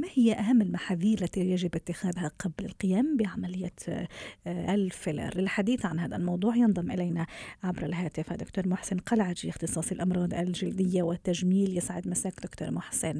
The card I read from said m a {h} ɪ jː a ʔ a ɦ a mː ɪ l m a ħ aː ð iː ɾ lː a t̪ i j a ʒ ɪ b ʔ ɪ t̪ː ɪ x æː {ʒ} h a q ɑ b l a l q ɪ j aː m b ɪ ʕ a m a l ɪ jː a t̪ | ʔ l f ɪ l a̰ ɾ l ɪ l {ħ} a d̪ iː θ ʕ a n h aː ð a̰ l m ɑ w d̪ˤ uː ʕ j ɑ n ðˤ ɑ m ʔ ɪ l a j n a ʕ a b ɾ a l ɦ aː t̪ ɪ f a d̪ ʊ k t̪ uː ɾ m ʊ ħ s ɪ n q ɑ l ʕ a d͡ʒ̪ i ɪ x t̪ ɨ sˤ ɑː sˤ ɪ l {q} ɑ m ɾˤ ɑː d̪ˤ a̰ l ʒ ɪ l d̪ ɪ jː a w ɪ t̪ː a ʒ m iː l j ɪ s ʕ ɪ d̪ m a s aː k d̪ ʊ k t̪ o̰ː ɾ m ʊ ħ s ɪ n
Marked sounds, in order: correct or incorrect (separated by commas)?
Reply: correct, incorrect, correct, incorrect